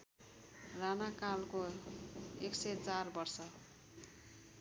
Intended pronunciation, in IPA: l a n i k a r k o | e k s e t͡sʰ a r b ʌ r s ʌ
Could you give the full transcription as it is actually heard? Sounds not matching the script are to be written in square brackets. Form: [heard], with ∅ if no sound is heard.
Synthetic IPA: [r] a n [a] k a [l] k o | e k s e [t͡s] a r b ʌ r s ʌ